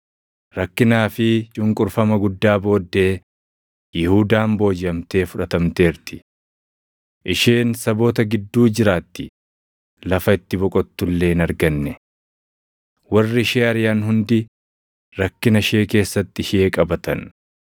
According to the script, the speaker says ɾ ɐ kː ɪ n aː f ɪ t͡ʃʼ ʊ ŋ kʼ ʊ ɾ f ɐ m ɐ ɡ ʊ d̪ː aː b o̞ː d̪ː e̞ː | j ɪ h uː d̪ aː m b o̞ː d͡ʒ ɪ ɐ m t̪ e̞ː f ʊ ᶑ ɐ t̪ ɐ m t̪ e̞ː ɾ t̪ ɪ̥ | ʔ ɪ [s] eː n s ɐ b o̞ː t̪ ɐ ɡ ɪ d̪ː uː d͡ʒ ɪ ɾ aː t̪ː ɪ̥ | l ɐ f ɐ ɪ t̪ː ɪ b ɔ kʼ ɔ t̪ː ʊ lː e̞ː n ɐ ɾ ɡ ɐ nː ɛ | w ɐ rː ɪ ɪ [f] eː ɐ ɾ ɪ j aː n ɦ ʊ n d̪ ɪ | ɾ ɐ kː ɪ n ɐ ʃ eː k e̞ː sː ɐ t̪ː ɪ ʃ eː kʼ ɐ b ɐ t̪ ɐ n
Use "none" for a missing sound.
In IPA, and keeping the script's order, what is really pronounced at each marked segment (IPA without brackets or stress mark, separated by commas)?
ʃ, ʃ